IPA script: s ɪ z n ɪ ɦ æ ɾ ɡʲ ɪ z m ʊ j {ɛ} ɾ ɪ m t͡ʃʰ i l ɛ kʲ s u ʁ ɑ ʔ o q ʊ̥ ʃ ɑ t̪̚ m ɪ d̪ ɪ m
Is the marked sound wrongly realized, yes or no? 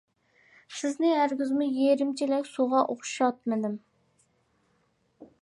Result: yes